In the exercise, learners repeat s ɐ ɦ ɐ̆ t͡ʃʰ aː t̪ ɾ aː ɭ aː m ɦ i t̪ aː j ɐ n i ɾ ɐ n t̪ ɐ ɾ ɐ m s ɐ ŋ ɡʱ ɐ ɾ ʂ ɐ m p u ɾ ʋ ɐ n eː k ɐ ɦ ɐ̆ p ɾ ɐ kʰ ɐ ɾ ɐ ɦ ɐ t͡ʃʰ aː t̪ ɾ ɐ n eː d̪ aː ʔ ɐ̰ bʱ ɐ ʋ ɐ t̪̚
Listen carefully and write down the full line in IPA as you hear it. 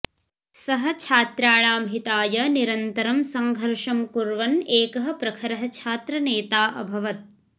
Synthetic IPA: s ɐ ɦ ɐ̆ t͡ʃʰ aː t̪ ɾ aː ɭ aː m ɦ i t̪ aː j ɐ n i ɾ ɐ n t̪ ɐ ɾ ɐ m s ɐ ŋ ɡʱ ɐ ɾ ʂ ɐ m k u ɾ ʋ ɐ n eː k ɐ ɦ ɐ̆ p ɾ ɐ kʰ ɐ ɾ ɐ ɦ ɐ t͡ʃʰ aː t̪ ɾ ɐ n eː t̪ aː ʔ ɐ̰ bʱ ɐ ʋ ɐ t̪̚